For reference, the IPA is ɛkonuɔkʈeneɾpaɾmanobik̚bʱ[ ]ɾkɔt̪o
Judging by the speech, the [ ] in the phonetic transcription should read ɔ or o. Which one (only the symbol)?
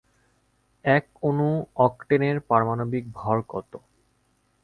ɔ